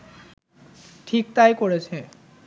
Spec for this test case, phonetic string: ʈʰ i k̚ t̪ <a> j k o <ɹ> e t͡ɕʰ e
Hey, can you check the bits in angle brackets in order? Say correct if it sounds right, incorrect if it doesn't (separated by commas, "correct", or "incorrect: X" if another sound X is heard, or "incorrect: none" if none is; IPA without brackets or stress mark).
correct, correct